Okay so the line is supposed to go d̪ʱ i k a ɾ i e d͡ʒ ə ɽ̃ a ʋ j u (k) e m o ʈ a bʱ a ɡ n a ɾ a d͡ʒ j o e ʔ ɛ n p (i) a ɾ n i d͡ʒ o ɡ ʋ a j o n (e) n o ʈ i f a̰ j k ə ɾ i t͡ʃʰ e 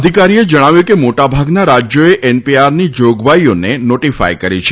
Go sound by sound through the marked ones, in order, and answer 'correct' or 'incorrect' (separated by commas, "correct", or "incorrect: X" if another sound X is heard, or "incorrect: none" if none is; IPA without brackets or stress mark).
correct, correct, correct